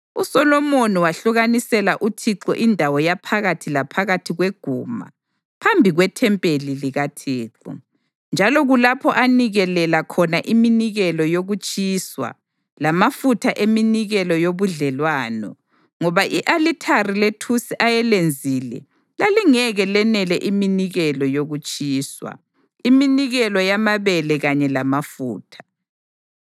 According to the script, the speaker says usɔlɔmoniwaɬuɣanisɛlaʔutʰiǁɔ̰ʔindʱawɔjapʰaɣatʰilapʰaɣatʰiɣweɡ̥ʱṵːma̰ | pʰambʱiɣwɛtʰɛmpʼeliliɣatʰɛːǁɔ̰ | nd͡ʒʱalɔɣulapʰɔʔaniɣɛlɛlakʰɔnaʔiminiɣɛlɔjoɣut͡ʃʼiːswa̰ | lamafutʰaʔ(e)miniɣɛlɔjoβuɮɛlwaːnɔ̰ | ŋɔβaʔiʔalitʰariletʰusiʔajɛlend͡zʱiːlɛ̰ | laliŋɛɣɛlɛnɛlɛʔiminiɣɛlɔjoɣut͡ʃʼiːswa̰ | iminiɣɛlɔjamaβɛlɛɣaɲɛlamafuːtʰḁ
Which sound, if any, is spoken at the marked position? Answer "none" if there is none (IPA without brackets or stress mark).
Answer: e